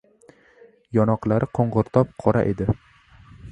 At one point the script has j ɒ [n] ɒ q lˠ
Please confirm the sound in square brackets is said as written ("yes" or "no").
yes